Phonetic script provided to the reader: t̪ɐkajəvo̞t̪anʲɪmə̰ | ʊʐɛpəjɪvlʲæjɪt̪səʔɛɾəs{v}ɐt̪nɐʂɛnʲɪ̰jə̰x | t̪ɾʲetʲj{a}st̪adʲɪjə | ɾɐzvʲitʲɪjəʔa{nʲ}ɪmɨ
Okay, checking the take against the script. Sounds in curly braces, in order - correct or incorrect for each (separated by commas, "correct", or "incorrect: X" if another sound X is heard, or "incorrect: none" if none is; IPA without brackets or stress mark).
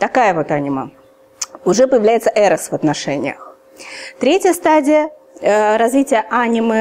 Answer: correct, incorrect: ə, correct